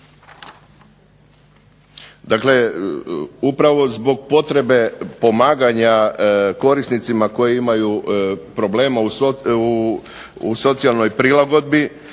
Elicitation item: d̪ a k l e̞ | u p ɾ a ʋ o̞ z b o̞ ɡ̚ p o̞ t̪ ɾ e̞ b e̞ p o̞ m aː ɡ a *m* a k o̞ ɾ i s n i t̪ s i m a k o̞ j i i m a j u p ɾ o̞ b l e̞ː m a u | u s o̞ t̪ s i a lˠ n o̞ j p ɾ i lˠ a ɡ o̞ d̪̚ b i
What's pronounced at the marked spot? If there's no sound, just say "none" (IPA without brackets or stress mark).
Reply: ɲ